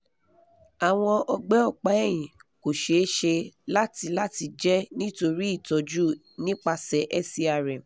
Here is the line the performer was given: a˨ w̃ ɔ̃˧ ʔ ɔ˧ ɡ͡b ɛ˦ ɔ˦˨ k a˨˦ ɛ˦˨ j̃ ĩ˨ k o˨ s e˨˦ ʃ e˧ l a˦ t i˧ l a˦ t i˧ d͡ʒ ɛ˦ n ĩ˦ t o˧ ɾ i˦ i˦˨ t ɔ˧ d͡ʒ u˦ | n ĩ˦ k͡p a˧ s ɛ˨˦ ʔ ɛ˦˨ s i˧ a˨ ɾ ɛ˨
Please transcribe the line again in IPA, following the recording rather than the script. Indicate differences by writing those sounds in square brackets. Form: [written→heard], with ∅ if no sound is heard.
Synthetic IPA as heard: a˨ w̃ ɔ̃˧ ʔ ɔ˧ ɡ͡b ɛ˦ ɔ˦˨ [k→k͡p] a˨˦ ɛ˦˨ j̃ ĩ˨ k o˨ [s→ʃ] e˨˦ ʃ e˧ l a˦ t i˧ l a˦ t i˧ d͡ʒ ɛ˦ n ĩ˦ t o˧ ɾ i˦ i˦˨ t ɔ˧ d͡ʒ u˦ | n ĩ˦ k͡p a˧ s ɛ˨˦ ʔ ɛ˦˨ s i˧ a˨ ɾ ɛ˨